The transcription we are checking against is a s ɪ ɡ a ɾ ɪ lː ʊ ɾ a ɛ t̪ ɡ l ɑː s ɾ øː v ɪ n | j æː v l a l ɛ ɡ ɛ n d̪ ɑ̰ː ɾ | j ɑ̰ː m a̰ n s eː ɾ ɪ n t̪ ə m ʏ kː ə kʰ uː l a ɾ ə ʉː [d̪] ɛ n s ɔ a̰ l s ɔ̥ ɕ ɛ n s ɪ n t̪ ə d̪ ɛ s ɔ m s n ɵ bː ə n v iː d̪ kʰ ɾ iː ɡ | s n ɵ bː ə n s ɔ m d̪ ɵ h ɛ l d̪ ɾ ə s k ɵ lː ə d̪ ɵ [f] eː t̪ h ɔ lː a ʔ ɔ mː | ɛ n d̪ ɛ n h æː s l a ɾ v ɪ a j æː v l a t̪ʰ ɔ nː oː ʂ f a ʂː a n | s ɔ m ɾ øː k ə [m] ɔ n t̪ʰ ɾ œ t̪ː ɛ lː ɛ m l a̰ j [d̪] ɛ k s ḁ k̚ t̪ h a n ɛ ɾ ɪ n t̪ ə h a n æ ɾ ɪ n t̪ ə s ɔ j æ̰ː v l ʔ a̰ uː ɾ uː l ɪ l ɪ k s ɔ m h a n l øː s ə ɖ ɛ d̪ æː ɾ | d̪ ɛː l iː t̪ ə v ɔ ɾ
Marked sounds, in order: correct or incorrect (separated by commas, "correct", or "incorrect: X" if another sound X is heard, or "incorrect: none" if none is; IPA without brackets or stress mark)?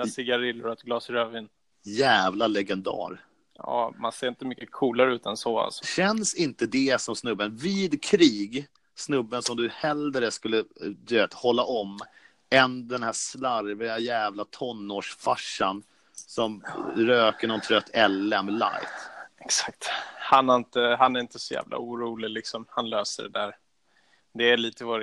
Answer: incorrect: t̪, incorrect: v, incorrect: ɳ, incorrect: t̪